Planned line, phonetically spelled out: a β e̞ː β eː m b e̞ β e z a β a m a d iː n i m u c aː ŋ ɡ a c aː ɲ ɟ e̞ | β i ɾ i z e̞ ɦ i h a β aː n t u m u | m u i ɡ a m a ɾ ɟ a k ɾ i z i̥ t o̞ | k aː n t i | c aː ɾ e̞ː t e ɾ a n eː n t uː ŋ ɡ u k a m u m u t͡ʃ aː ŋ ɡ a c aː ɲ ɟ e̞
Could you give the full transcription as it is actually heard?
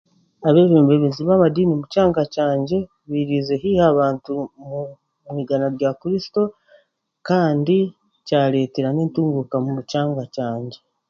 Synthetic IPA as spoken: a β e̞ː β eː m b e̞ β e z i β a m a d iː n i m u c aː ŋ ɡ a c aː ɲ ɟ e̞ | β i ɾ i z e̞ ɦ i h a β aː n t u m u | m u i ɡ a n a ɾ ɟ a k ɾ i s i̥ t o̞ | k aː n d i | c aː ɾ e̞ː t e ɾ a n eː n t uː ŋ ɡ u k a m u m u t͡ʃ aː ŋ ɡ a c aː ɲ ɟ e̞